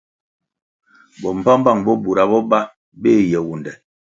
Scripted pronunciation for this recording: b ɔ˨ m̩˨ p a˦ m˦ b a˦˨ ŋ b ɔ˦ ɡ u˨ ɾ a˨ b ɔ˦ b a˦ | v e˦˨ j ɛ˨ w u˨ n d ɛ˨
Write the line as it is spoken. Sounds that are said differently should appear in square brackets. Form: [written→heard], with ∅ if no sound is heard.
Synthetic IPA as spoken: b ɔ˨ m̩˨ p a˦ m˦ b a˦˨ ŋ b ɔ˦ [ɡ→b] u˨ ɾ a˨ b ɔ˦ b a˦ | [v→b] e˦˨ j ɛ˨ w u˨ n d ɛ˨